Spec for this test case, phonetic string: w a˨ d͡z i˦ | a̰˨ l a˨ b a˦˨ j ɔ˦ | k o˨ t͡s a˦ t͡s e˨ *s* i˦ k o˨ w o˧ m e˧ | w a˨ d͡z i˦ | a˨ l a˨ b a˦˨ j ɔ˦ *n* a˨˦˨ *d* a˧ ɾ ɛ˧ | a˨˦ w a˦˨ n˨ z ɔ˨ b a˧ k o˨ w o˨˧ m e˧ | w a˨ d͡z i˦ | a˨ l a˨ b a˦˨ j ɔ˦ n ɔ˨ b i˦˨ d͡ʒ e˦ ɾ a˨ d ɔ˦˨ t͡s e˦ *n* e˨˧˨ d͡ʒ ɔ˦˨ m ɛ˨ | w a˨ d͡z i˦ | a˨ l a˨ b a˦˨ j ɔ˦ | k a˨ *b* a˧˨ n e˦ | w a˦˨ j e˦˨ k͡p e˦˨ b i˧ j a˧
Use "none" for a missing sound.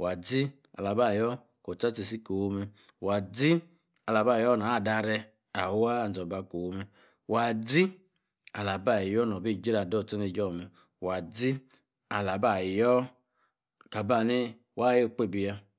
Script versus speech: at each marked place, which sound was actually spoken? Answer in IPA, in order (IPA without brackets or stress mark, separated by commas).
s, n, d, n, b